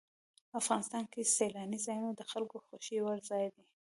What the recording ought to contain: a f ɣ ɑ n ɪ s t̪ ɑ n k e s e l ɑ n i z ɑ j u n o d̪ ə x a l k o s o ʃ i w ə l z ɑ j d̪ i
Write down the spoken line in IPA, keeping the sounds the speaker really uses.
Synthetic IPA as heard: a f ɣ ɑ n ɪ s t̪ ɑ n k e s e l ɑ n i z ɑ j u n o d̪ ə x a l k o x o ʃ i w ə ɾ z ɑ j d̪ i